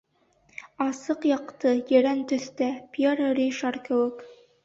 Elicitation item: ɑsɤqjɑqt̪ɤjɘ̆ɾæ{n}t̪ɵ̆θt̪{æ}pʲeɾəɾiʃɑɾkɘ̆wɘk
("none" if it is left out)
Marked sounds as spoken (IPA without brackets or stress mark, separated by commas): n, æ